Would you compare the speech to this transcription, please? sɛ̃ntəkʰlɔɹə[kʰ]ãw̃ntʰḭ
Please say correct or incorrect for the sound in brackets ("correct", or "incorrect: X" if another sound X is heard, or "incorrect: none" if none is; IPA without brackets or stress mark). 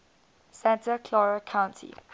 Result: correct